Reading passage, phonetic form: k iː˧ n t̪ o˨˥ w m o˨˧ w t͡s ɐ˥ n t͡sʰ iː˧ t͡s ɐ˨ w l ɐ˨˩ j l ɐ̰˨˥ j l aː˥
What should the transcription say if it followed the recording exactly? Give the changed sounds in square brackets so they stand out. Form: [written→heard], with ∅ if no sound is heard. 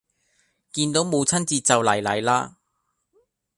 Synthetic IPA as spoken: k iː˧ n t̪ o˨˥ w m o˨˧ w [t͡s→t͡sʰ] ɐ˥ n [t͡sʰ→t͡s] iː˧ t͡s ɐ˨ w l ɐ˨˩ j l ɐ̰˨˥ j l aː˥